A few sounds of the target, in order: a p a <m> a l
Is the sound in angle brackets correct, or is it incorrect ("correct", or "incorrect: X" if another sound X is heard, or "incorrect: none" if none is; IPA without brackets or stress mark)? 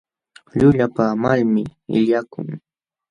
correct